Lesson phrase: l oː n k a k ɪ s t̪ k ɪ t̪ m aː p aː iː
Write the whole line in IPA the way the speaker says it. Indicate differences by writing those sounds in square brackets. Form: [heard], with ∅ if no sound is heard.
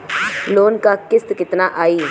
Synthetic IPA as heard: l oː n k a k ɪ s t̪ k ɪ t̪ [n] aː [ʔ] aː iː